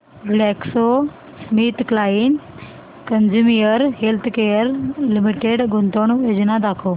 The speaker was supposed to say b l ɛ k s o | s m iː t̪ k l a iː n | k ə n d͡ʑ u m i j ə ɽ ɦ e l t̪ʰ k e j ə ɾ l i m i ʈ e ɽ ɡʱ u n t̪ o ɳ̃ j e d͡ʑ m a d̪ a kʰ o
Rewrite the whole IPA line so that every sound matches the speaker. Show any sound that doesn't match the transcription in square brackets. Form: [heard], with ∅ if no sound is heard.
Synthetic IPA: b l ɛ k s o | s m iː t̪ k l a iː n | k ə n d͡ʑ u m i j ə [ɾ] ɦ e l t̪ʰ k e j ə ɾ l i m i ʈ e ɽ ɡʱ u n t̪ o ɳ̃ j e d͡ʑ [n] a d̪ a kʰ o